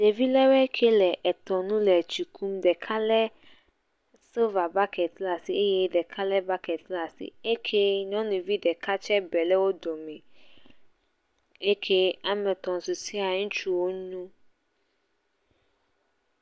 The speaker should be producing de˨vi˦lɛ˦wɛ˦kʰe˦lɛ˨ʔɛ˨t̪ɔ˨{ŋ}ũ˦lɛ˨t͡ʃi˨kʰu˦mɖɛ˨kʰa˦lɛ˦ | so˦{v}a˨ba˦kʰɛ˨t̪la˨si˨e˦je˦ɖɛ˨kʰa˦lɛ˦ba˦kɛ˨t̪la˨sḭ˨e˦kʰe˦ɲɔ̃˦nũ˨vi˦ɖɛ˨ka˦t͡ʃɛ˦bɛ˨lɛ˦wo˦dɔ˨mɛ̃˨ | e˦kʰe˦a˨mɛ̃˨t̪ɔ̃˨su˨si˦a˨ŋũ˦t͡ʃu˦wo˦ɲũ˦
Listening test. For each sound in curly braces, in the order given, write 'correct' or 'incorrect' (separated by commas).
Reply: incorrect, correct